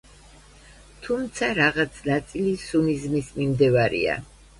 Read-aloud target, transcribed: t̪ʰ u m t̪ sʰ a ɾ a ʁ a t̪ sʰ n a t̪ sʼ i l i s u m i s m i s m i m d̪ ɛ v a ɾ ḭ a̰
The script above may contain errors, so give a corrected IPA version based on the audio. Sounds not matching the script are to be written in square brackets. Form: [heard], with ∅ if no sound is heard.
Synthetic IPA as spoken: t̪ʰ u m t̪ sʰ a ɾ a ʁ a t̪ sʰ n a t̪ sʼ i l i s u [n] i [z] m i s m i m d̪ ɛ v a ɾ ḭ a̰